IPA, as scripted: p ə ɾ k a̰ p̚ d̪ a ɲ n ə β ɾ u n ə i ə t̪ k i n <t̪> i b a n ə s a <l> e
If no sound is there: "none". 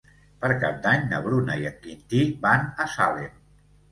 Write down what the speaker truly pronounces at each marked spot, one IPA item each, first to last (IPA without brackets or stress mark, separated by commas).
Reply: t̪, l